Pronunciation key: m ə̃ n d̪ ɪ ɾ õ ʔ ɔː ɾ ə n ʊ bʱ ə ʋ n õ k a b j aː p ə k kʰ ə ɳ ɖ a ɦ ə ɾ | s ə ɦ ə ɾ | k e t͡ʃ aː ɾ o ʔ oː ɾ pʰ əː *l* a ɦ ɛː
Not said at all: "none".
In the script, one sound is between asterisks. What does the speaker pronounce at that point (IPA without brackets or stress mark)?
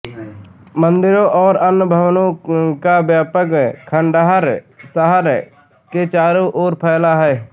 l